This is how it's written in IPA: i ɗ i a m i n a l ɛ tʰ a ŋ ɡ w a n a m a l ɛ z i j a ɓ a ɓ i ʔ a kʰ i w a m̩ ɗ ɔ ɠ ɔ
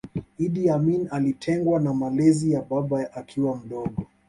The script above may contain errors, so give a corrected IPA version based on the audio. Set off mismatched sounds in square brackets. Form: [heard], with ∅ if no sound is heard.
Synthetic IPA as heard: i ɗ i a m i n a l [i] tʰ [ɛ] ŋ ɡ w a n a m a l ɛ z i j a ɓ a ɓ [a] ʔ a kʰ i w a m̩ ɗ ɔ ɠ ɔ

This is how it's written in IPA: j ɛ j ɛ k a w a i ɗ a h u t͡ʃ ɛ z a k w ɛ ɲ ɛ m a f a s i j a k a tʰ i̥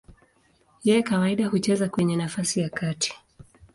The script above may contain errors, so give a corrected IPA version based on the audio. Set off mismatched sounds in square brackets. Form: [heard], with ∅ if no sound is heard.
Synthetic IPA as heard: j ɛ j ɛ k a w a i ɗ a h u t͡ʃ ɛ z a k w ɛ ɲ ɛ [n] a f a s i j a k a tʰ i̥

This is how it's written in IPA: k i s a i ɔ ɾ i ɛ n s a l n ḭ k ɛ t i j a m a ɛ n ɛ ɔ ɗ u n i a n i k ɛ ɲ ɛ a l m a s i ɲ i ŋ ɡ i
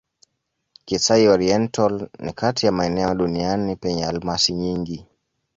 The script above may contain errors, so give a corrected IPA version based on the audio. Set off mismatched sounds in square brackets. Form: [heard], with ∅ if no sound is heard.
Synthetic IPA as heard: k i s a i ɔ ɾ i ɛ n [t] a l n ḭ k [a] t i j a m a ɛ n ɛ ɔ ɗ u n i a n i [p] ɛ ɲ ɛ a l m a s i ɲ i ŋ ɡ i

